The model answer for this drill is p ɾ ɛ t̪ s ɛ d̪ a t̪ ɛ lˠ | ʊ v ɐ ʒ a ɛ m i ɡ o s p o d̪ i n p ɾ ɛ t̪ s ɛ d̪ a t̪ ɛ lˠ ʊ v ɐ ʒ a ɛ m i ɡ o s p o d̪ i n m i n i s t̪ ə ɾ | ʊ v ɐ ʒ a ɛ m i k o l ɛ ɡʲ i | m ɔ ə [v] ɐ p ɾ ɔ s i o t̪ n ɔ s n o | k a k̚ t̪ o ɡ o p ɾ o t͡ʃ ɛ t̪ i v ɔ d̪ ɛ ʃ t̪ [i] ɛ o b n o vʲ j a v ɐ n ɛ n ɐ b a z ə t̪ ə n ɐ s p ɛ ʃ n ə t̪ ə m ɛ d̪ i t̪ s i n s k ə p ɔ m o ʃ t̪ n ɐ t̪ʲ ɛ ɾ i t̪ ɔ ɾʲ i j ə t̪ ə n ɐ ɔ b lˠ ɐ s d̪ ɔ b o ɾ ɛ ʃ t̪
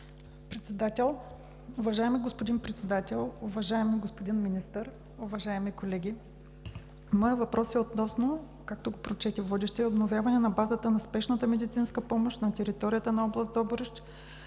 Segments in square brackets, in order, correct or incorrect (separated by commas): correct, incorrect